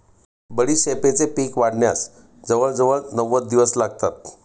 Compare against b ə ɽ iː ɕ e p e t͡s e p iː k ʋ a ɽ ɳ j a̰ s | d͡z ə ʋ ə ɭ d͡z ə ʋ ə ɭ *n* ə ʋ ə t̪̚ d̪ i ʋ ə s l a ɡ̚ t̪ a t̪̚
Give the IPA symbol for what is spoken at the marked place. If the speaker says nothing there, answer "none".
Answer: n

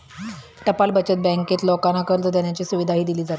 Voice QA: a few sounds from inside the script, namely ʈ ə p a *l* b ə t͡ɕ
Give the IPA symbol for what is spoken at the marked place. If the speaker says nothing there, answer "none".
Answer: l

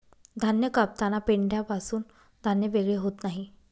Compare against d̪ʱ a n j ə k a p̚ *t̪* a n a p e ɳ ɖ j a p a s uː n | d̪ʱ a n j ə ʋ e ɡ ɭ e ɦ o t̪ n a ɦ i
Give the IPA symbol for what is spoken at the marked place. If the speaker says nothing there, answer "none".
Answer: t̪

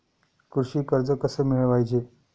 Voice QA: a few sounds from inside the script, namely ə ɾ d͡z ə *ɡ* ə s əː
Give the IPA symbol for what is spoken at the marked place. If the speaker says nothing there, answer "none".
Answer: k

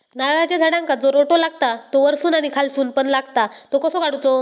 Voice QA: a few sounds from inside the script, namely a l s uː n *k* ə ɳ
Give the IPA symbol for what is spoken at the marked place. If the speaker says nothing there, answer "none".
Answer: p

